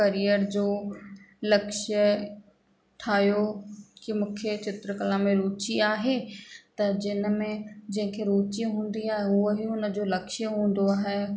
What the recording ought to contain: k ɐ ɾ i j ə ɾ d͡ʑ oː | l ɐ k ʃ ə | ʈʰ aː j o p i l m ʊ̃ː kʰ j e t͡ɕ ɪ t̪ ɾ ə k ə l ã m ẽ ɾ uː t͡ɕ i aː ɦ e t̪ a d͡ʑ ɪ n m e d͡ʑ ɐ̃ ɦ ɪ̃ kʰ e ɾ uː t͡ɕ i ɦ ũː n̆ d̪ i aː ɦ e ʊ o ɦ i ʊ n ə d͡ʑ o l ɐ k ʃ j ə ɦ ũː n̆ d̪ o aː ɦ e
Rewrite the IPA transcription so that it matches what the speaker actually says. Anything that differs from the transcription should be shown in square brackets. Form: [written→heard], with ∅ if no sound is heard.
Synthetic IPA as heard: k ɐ ɾ i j ə ɾ d͡ʑ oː | l ɐ k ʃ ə | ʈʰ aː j o [p→k] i [l→∅] m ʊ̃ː kʰ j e t͡ɕ ɪ t̪ ɾ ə k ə l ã m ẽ ɾ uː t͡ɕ i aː ɦ e t̪ [a→ɐ] d͡ʑ ɪ n m [e→ẽ] d͡ʑ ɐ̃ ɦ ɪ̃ kʰ e ɾ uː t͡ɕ i ɦ ũː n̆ d̪ i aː ɦ e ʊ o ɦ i ʊ n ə d͡ʑ o l ɐ k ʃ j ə ɦ ũː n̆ d̪ o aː ɦ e

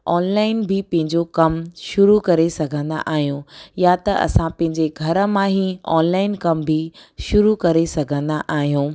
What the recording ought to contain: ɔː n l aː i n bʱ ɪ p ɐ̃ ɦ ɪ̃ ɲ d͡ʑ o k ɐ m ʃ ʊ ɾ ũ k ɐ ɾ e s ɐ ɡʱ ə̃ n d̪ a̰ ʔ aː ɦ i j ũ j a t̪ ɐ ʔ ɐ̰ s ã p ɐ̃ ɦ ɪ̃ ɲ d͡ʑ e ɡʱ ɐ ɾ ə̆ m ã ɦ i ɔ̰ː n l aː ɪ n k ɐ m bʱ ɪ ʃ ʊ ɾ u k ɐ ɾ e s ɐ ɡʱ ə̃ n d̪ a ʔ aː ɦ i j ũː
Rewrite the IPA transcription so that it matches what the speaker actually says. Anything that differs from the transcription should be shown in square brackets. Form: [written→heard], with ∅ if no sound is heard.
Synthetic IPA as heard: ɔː n l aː [i→ɪ] n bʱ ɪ p ɐ̃ ɦ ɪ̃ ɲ d͡ʑ o k ɐ m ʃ ʊ ɾ [ũ→u] k ɐ ɾ e s ɐ ɡʱ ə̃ n d̪ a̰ ʔ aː ɦ i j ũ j a t̪ ɐ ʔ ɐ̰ s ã p ɐ̃ ɦ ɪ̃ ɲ d͡ʑ e ɡʱ ɐ ɾ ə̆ m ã ɦ i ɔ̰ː n l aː ɪ n k ɐ m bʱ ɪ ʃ ʊ ɾ u k ɐ ɾ e s ɐ ɡʱ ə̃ n d̪ a ʔ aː ɦ i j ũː

